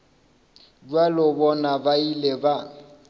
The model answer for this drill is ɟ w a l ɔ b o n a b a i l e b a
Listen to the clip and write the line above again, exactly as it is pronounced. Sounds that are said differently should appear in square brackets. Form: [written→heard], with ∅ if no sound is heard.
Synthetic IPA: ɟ w a l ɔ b [o→ɔ] n a b a i l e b a